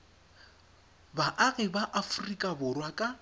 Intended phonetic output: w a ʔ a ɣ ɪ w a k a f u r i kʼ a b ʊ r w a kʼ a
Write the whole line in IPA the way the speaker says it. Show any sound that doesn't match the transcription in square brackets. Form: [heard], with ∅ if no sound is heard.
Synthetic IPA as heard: [b] a ʔ a ɣ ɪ [b] a [ʔ] a f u r i kʼ a b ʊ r w a kʼ a